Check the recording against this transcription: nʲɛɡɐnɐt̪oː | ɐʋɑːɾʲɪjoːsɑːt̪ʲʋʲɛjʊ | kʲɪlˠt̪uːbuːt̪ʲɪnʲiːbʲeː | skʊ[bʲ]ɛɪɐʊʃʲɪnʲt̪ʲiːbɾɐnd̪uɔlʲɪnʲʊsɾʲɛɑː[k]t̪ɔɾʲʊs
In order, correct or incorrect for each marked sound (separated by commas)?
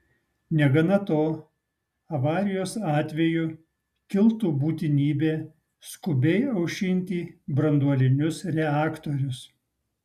correct, correct